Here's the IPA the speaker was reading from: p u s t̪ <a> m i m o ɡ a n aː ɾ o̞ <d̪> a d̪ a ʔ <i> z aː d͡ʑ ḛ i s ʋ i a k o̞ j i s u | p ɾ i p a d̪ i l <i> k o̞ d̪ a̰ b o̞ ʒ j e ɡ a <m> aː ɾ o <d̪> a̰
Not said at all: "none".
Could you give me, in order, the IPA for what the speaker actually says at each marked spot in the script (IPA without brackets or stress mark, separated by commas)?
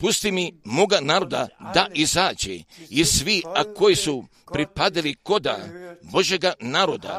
i, d̪, i, i, n, d̪